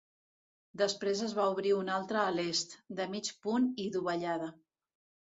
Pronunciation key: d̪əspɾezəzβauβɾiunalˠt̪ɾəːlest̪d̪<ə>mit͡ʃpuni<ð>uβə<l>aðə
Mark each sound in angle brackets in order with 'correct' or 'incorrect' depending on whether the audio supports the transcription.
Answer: correct, correct, incorrect

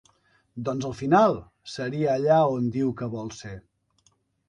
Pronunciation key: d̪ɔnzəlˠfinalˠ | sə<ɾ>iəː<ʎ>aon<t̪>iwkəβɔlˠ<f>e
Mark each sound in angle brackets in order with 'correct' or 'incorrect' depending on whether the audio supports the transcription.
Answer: correct, correct, incorrect, incorrect

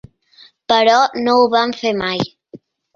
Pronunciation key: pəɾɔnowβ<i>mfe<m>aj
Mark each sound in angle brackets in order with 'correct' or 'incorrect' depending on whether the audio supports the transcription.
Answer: incorrect, correct

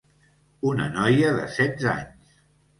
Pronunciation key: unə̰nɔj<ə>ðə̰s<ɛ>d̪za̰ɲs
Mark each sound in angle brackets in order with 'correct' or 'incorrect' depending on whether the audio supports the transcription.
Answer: correct, correct

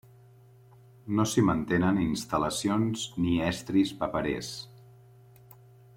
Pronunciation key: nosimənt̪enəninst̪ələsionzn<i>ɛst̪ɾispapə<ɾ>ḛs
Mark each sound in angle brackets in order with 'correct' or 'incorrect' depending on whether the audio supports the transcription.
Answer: correct, correct

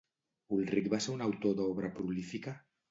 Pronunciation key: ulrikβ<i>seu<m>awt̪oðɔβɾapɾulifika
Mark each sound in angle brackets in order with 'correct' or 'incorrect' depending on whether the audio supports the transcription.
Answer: incorrect, incorrect

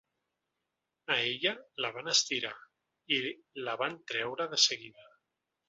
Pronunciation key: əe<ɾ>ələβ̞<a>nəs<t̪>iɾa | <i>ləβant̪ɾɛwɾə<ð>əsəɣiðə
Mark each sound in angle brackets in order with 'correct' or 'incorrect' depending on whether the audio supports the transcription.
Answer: incorrect, correct, correct, correct, correct

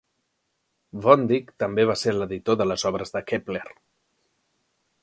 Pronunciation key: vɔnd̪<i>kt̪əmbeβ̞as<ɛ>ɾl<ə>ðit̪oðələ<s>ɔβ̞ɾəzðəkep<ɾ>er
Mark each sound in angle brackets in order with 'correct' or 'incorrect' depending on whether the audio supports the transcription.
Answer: correct, incorrect, correct, incorrect, incorrect

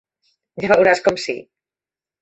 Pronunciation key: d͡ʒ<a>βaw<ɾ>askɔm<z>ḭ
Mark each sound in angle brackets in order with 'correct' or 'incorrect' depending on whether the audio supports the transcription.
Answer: correct, correct, incorrect

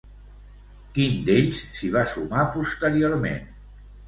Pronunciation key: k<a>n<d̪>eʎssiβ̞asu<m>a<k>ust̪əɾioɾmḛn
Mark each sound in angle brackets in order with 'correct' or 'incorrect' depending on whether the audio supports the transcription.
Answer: incorrect, correct, correct, incorrect

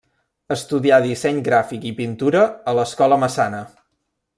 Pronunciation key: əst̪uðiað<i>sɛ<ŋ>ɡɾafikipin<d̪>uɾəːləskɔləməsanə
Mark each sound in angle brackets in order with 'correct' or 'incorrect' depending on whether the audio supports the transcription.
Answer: correct, incorrect, incorrect

